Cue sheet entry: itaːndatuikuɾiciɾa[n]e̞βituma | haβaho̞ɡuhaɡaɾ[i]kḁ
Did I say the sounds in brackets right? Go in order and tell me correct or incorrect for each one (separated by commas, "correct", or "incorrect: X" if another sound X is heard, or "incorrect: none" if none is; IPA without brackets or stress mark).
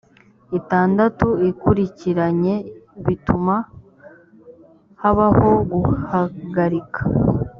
incorrect: ɲ, correct